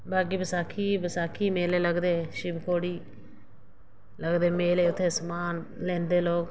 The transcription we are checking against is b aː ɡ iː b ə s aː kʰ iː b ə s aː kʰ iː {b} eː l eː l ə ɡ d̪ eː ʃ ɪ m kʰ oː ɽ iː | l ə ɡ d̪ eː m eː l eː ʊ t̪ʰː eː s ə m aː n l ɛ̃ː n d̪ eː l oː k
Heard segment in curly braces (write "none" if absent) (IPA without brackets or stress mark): m